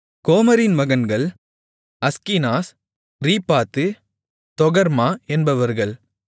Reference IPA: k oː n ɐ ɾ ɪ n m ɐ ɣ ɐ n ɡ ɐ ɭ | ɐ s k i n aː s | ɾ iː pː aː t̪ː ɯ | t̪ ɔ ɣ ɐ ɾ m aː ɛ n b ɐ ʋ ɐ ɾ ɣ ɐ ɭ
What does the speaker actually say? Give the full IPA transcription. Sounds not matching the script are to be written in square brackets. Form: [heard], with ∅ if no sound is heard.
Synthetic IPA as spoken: k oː [m] ɐ ɾ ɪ n m ɐ ɣ ɐ n ɡ ɐ ɭ | ɐ s k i n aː s | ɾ iː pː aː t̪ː ɯ | t̪ ɔ ɣ ɐ ɾ m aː ɛ n b ɐ ʋ ɐ ɾ ɣ ɐ ɭ

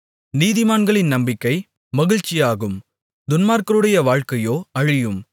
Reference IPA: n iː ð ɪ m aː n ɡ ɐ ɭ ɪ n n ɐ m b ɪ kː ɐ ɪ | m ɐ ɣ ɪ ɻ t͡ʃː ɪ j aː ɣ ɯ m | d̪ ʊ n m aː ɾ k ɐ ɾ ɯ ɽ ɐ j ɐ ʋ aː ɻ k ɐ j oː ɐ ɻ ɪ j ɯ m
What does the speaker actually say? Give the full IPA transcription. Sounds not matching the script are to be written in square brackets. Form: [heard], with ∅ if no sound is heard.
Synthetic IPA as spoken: n iː ð ɪ m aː n ɡ ɐ ɭ ɪ n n ɐ m b ɪ kː ɐ ɪ | m ɐ ɣ ɪ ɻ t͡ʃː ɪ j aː ɣ ɯ m | d̪ ʊ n m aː ɾ k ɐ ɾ ɯ ɽ ɐ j ɐ ʋ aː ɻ k ɐ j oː ɐ ɻ ɪ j ɯ m

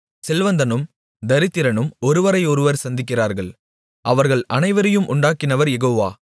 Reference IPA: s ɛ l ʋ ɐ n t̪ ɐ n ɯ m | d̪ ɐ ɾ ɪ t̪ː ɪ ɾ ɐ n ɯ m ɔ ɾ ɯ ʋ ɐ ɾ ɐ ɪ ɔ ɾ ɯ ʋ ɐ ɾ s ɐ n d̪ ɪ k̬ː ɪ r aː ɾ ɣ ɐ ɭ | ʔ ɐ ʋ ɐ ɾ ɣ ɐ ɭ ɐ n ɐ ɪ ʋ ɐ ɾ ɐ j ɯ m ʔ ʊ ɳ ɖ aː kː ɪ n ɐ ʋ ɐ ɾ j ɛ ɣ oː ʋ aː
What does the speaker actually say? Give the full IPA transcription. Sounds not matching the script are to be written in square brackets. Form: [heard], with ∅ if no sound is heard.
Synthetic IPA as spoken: s ɛ l ʋ ɐ n [d̪] ɐ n ɯ m | d̪ ɐ ɾ ɪ t̪ː ɪ ɾ ɐ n ɯ m ɔ ɾ ɯ ʋ ɐ ɾ ɐ ɪ ɔ ɾ ɯ ʋ ɐ ɾ s ɐ n d̪ ɪ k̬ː ɪ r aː ɾ ɣ ɐ ɭ | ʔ ɐ ʋ ɐ ɾ ɣ ɐ ɭ ɐ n ɐ ɪ ʋ ɐ ɾ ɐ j ɯ m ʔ ʊ ɳ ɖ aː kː ɪ n ɐ ʋ ɐ ɾ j ɛ ɣ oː ʋ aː

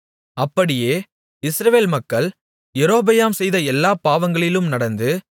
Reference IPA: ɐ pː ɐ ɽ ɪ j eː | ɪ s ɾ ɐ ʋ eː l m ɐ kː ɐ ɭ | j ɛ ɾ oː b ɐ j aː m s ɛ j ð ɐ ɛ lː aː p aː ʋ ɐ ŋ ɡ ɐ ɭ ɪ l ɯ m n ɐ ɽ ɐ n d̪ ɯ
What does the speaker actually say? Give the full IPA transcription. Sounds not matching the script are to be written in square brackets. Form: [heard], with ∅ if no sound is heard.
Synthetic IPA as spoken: ɐ pː ɐ ɽ ɪ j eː | ɪ s ɾ ɐ ʋ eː l m ɐ kː ɐ ɭ | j ɛ ɾ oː b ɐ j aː m s ɛ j ð ɐ ɛ lː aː p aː ʋ ɐ ŋ ɡ ɐ ɭ ɪ l ɯ m n ɐ ɽ ɐ n d̪ ɯ

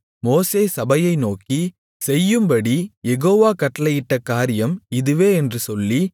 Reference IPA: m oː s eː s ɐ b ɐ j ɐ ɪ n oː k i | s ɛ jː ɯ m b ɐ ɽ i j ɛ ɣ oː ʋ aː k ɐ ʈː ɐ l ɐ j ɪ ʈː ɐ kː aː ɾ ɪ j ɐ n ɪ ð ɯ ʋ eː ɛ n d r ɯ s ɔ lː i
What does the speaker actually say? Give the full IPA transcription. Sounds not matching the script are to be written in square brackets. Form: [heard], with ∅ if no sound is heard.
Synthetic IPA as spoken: m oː s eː s ɐ b ɐ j ɐ ɪ n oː k i | s ɛ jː ɯ m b ɐ ɽ i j ɛ ɣ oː ʋ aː k ɐ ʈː ɐ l ɐ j ɪ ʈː ɐ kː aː ɾ ɪ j ɐ [m] ɪ ð ɯ ʋ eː ɛ n d r ɯ s ɔ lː i

